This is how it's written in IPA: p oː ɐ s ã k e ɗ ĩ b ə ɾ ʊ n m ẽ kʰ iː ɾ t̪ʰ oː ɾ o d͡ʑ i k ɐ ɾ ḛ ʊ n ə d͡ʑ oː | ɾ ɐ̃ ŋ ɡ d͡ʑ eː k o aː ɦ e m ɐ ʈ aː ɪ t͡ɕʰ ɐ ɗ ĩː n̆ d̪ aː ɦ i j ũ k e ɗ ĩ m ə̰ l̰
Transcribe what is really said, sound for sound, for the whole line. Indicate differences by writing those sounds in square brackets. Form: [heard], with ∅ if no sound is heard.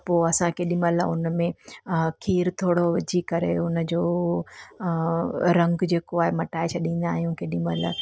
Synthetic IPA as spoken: p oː ɐ s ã k e ɗ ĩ [m] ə [l] ʊ n m ẽ kʰ iː ɾ t̪ʰ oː [ɽ] o d͡ʑ i k ɐ ɾ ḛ ʊ n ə d͡ʑ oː | ɾ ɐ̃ ŋ ɡ d͡ʑ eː k o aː ɦ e m ɐ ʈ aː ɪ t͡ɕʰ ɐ ɗ ĩː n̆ d̪ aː ɦ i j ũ k e ɗ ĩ m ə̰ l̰